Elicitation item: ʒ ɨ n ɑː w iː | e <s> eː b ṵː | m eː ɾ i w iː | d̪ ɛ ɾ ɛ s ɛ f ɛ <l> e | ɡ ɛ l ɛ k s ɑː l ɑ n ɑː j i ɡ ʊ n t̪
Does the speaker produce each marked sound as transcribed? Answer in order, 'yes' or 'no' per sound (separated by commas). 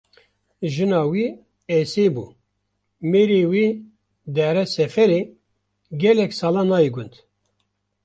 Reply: yes, no